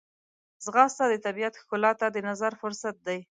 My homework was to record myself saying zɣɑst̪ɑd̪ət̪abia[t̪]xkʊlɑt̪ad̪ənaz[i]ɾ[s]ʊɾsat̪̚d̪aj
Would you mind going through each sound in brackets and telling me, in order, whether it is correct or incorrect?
correct, incorrect: a, incorrect: f

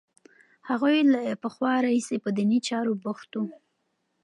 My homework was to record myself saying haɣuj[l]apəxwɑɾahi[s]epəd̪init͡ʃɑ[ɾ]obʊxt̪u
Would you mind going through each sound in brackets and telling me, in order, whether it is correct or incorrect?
correct, correct, correct

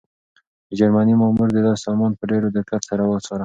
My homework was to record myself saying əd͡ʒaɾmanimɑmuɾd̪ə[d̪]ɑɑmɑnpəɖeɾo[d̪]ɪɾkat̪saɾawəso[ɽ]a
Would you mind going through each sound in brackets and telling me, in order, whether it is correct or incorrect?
correct, correct, incorrect: ɾ

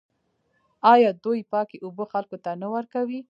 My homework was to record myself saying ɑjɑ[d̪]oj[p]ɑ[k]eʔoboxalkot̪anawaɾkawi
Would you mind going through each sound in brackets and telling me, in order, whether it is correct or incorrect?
correct, correct, correct

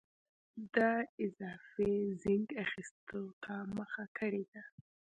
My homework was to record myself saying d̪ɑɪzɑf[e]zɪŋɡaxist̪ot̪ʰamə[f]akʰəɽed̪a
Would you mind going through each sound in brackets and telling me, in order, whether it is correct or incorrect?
correct, incorrect: x

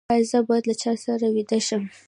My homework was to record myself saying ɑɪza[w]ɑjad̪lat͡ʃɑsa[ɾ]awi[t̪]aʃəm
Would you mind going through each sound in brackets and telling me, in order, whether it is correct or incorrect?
incorrect: b, correct, incorrect: d̪

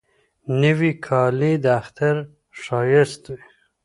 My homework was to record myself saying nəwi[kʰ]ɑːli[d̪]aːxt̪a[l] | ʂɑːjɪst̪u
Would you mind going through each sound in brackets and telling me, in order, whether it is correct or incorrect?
correct, correct, incorrect: ɾ

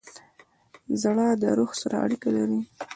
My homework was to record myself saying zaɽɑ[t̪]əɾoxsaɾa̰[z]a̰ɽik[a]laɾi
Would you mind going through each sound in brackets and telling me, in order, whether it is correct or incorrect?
incorrect: d̪, incorrect: none, correct

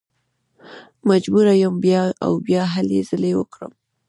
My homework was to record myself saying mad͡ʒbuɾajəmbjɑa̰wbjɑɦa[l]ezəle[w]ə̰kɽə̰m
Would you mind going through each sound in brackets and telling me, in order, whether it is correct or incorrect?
correct, correct

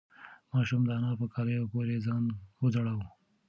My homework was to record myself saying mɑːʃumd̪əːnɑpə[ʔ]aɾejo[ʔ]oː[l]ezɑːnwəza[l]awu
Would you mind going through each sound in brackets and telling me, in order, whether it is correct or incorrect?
incorrect: k, incorrect: p, incorrect: ɾ, incorrect: ɽ

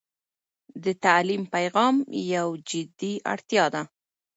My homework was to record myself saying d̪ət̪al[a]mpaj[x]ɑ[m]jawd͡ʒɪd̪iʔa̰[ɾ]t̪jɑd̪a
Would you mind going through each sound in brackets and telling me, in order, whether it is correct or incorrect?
incorrect: i, incorrect: ɣ, correct, incorrect: ɽ

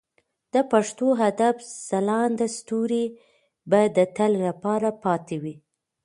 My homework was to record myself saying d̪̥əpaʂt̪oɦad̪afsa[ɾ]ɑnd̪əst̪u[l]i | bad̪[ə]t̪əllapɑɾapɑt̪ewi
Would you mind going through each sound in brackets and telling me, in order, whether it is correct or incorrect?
incorrect: l, incorrect: ɾ, correct

